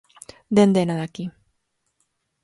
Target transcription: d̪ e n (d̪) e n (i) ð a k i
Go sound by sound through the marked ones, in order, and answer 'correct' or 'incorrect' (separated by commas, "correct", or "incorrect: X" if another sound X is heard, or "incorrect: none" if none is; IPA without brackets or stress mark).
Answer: correct, incorrect: a